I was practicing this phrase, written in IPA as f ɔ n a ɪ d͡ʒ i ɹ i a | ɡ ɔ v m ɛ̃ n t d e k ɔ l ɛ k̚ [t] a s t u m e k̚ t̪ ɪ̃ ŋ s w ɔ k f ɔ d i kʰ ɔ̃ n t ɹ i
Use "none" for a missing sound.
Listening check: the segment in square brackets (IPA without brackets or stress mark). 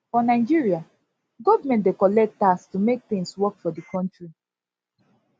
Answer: t